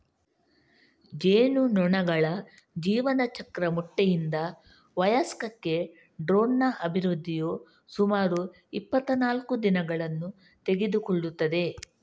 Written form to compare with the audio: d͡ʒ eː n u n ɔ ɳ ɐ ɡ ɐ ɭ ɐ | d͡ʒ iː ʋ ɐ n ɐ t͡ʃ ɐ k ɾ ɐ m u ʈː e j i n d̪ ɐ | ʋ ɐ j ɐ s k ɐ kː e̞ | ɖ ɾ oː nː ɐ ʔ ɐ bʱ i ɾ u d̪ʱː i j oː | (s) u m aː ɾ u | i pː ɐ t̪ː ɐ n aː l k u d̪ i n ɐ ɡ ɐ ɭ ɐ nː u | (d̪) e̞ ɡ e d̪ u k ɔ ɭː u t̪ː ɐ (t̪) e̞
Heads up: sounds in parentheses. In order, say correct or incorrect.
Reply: correct, incorrect, incorrect

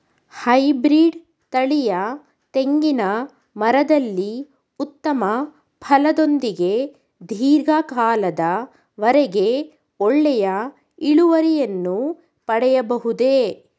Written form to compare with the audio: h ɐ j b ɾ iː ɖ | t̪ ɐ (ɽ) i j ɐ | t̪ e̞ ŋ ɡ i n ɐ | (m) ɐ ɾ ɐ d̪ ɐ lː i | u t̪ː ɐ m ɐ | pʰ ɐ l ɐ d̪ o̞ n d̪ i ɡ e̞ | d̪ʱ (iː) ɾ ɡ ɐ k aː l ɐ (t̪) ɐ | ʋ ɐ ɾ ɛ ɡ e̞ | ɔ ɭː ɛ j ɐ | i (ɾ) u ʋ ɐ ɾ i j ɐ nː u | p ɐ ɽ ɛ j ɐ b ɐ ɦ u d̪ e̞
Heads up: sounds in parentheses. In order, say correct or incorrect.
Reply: incorrect, correct, correct, incorrect, incorrect

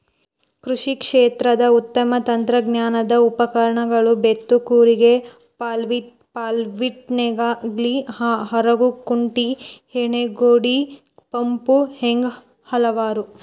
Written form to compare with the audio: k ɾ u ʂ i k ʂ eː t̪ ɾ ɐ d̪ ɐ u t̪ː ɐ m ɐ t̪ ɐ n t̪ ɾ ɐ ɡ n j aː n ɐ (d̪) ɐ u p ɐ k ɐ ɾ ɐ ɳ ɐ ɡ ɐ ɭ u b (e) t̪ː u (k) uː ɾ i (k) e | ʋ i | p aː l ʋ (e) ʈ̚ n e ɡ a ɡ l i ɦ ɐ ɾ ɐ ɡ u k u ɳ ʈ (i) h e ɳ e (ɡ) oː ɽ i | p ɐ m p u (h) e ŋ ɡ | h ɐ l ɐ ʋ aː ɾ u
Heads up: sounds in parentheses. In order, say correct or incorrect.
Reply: correct, correct, correct, incorrect, incorrect, correct, correct, correct

